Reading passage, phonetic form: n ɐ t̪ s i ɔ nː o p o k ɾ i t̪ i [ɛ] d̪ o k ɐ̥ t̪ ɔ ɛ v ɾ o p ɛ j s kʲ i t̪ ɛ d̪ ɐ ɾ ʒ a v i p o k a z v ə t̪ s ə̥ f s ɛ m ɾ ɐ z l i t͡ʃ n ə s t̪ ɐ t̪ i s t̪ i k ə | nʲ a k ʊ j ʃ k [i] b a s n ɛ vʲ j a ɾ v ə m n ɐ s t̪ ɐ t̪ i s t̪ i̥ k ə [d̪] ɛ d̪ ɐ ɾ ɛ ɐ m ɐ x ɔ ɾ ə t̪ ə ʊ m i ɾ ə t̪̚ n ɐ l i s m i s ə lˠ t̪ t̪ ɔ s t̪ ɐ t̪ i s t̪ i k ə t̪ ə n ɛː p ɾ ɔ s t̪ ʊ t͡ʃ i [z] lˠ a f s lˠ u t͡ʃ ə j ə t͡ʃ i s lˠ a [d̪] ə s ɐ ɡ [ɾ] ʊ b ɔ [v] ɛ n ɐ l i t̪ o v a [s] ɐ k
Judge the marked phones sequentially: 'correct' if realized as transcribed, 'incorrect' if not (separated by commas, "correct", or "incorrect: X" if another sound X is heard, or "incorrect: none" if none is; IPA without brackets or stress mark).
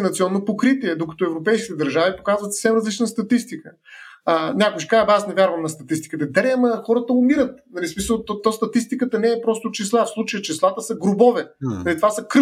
correct, incorrect: a, incorrect: t̪, incorrect: s, incorrect: t̪, correct, correct, correct